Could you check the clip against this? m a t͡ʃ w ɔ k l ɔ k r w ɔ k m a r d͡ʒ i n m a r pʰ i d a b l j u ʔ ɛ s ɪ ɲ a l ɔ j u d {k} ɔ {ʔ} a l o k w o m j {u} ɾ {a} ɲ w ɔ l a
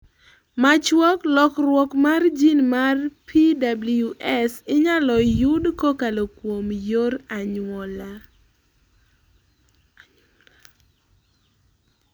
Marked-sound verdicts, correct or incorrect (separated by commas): correct, incorrect, incorrect, correct